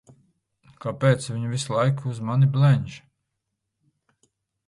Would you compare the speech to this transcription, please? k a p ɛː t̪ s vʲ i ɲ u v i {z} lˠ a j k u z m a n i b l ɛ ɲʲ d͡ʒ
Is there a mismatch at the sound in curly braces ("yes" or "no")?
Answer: yes